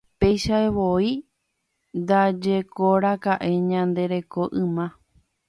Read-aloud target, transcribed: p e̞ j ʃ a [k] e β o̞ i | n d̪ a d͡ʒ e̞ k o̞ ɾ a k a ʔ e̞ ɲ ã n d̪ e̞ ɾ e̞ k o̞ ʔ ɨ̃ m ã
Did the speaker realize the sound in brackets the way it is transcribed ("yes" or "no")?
no